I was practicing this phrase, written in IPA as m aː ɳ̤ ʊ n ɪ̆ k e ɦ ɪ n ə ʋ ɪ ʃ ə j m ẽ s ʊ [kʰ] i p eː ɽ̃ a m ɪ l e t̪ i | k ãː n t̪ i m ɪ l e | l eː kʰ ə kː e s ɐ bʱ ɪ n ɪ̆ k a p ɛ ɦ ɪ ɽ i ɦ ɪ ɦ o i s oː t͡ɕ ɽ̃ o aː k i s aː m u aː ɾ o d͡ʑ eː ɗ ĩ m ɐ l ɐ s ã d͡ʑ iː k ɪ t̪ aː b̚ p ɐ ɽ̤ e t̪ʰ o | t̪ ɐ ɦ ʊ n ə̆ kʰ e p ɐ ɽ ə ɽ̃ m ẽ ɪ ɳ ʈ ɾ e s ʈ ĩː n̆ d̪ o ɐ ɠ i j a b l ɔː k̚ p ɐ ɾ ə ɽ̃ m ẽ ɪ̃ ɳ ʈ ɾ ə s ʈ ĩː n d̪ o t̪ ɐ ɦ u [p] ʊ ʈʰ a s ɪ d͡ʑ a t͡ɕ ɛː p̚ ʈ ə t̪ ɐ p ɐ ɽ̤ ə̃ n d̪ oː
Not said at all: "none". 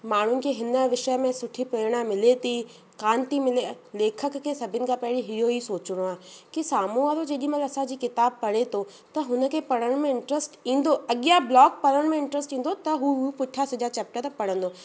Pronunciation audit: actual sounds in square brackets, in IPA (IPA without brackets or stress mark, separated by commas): ʈʰ, p